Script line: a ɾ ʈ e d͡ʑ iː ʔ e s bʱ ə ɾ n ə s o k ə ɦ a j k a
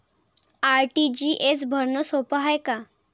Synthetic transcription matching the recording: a ɾ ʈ i d͡ʑ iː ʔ e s bʱ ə ɾ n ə s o p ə ɦ a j k a

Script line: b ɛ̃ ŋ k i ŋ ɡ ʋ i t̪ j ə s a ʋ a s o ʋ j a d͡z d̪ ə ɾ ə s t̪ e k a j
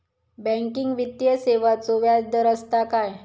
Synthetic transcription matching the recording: b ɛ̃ ŋ k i ŋ ɡ ʋ i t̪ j ə s e ʋ a t͡s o ʋ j a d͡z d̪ ə ɾ ə s t̪ a k a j

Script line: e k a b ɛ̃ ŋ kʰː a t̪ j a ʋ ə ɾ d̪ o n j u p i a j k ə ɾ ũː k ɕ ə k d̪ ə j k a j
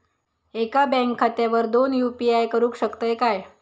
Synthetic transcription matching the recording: e k a b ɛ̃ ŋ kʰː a t̪ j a ʋ ə ɾ d̪ o n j u p i a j k ə ɾ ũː k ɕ ə k t̪ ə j k a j

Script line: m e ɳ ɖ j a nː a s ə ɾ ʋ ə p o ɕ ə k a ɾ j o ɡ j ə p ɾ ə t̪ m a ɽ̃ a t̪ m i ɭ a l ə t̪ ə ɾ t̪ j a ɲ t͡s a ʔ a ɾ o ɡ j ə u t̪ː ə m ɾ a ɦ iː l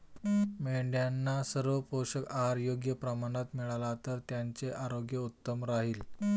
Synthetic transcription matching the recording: m e ɳ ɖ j a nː a s ə ɾ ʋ ə p o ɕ ə k a ɾ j o ɡ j ə p ɾ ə m a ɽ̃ a t̪ m i ɭ a l a t̪ ə ɾ t̪ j a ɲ t͡s e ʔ a ɾ o ɡ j ə u t̪ː ə m ɾ a ɦ iː l

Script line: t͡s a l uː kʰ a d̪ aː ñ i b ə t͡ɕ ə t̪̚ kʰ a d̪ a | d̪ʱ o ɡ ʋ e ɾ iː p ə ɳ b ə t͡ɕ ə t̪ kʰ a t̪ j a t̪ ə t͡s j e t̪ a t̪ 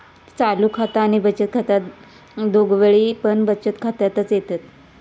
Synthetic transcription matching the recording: t͡s a l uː kʰ a t̪ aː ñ i b ə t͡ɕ ə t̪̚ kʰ a t̪ a | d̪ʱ o ɡ ʋ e ɭ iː p ə ɳ b ə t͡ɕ ə t̪ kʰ a t̪ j a t̪ ə t͡s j e t̪ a t̪

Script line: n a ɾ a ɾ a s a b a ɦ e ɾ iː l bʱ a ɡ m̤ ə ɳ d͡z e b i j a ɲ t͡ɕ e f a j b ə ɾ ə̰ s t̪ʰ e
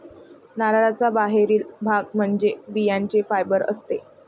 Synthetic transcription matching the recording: n a ɾ a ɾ a t͡s a b a ɦ e ɾ iː l bʱ a ɡ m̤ ə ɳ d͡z e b i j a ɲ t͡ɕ e f a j b ə ɾ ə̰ s t̪ e

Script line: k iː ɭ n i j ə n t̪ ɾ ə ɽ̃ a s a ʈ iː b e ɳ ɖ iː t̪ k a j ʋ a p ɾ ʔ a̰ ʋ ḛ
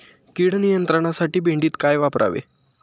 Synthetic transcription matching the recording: k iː ɽ n i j ə n t̪ ɾ ə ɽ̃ a s a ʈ iː b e ɳ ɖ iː t̪ k a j ʋ a p ɾ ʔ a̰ ʋ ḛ

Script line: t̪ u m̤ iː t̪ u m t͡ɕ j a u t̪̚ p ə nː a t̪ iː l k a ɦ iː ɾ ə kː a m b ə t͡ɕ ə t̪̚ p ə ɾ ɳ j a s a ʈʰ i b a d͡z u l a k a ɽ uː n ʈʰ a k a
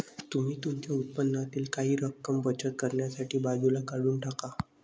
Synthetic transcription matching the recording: t̪ u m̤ iː t̪ u m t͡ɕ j a u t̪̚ p ə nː a t̪ iː l k a ɦ iː ɾ ə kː ə m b ə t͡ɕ ə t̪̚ k ə ɾ ɳ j a s a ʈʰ iː b a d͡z u l a k a ɽ uː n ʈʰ a k a

